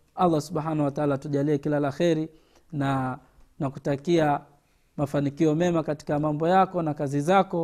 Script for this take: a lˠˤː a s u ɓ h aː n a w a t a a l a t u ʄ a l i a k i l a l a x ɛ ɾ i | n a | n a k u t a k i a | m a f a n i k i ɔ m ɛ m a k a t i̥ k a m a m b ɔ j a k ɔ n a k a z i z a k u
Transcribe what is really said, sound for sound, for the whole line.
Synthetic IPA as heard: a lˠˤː a s u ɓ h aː n a w a t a a l a t u ʄ a l i ɛ k i l a l a x ɛ ɾ i | n a | n a k u t a k i a | m a f a n i k i ɔ m ɛ m a k a t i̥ k a m a m b ɔ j a k ɔ n a k a z i z a k ɔ